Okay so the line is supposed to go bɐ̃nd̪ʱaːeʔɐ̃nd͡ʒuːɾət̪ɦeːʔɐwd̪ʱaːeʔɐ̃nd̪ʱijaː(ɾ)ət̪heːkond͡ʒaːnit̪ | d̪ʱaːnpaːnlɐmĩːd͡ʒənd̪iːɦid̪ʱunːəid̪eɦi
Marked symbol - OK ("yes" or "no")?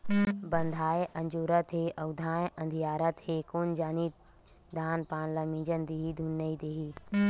yes